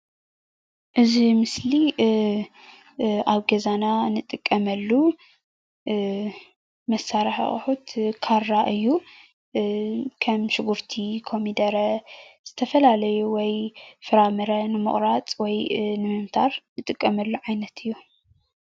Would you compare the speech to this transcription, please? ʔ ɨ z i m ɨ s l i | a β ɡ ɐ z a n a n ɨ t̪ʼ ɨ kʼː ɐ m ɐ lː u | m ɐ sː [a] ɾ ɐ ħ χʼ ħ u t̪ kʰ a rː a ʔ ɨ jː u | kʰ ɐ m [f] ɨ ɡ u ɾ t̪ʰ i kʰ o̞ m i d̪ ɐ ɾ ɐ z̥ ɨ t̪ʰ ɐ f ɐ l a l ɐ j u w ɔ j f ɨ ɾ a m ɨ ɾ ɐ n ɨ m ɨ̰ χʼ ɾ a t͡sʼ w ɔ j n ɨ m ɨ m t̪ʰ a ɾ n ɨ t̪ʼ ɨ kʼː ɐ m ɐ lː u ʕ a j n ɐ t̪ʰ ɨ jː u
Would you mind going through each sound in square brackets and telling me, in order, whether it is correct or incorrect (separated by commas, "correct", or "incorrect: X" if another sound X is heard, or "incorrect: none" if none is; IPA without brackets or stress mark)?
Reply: correct, incorrect: ʃ